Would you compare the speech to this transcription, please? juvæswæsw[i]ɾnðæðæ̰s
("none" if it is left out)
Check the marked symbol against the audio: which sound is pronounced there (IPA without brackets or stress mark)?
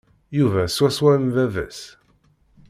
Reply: æ